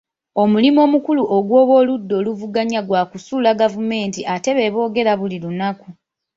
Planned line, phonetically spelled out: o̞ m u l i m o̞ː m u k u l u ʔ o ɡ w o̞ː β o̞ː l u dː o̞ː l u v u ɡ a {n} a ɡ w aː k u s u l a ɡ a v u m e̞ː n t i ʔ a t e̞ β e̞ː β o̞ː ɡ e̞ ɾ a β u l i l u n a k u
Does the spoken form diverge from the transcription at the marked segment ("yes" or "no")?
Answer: yes